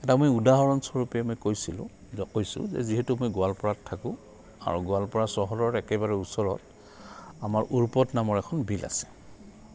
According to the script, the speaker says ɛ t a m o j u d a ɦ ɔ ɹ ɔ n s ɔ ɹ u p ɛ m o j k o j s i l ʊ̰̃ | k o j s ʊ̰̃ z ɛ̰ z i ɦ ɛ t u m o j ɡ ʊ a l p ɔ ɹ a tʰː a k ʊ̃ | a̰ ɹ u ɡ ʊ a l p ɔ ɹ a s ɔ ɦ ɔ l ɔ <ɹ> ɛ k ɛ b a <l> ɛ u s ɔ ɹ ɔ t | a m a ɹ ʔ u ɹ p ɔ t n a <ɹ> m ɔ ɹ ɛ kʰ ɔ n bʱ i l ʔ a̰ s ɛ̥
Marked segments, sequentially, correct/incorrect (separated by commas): correct, incorrect, incorrect